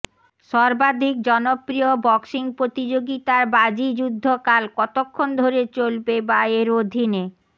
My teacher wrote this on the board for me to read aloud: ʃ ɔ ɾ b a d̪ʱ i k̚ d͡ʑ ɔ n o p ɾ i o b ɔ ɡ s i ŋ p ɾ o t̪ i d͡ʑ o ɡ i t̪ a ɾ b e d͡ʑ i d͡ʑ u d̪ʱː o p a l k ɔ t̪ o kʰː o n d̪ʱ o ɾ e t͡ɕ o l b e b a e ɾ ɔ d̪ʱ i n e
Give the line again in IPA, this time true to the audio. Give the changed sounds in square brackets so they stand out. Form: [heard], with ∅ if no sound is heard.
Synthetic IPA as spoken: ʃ ɔ ɾ b a d̪ʱ i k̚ d͡ʑ ɔ n o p ɾ i o b ɔ [k] s i ŋ p ɾ o t̪ i d͡ʑ o ɡ i t̪ a ɾ b [a] d͡ʑ i d͡ʑ u d̪ʱː o [k] a l k ɔ t̪ o kʰː o n d̪ʱ o ɾ e t͡ɕ o l b e b a e ɾ [o] d̪ʱ i n e